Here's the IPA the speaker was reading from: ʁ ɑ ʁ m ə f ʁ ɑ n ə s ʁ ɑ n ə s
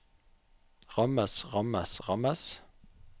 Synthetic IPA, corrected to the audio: ʁ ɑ m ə s ʁ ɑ m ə s ʁ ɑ m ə s